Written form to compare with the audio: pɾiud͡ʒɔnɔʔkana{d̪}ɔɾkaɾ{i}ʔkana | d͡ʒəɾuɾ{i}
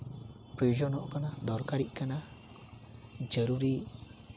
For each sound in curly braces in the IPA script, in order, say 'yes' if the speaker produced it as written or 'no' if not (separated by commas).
yes, yes, yes